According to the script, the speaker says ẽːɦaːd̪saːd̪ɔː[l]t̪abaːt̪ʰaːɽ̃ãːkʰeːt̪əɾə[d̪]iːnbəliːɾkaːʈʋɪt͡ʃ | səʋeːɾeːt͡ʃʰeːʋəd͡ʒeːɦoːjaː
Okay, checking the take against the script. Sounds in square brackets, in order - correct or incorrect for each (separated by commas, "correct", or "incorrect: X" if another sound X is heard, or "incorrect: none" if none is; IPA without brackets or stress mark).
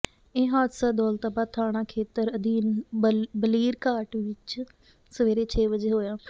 correct, correct